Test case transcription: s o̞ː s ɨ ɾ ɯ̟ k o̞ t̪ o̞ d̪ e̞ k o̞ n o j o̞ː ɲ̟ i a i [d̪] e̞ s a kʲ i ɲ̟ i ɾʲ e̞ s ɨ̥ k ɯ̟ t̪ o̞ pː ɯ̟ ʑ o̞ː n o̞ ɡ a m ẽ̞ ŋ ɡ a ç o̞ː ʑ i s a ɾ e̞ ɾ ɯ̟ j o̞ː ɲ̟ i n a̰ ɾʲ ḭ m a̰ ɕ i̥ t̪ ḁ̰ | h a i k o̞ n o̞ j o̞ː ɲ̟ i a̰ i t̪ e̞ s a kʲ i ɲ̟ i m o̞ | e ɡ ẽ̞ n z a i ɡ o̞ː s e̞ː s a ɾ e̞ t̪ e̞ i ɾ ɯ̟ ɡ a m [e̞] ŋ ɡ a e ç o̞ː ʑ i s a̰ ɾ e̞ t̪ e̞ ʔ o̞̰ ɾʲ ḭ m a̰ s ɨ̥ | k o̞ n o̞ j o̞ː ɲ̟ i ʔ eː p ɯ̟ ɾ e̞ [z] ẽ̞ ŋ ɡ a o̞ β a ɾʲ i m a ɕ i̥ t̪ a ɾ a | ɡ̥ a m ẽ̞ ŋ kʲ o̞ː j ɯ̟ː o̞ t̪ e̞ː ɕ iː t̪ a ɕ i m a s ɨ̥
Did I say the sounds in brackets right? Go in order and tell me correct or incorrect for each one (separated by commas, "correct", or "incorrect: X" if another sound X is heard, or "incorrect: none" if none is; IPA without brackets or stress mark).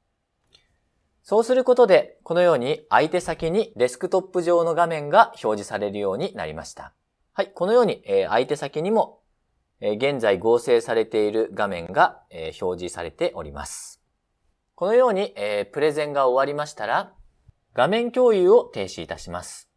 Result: incorrect: t̪, incorrect: ẽ̞, correct